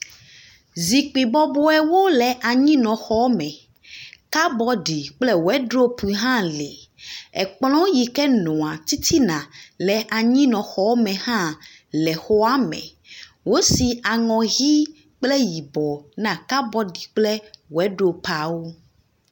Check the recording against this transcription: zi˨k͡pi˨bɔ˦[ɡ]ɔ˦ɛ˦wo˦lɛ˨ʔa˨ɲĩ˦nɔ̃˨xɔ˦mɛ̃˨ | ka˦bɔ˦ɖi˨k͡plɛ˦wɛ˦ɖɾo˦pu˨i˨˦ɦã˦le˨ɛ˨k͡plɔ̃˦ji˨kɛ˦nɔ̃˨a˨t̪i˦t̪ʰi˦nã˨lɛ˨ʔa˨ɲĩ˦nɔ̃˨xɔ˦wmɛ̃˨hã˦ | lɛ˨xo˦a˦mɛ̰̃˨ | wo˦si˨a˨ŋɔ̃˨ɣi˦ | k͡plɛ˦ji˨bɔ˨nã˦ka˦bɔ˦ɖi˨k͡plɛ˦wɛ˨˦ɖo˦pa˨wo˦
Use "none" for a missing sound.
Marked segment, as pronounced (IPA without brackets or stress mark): b